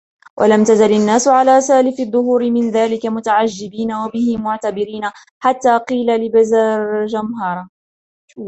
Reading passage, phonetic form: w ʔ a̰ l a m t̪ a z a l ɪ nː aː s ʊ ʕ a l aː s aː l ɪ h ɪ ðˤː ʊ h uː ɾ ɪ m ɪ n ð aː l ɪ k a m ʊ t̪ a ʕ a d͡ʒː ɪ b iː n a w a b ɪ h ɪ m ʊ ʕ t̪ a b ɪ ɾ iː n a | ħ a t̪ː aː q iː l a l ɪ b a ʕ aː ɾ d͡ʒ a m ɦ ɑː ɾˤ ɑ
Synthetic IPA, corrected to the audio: w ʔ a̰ l a m t̪ a z a l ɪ nː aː s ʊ ʕ a l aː s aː l ɪ f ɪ ðˤː ʊ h uː ɾ ɪ m ɪ n ð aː l ɪ k a m ʊ t̪ a ʕ a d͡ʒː ɪ b iː n a w a b ɪ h ɪ m ʊ ʕ t̪ a b ɪ ɾ iː n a | ħ a t̪ː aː q iː l a l ɪ b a z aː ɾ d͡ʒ a m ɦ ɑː ɾˤ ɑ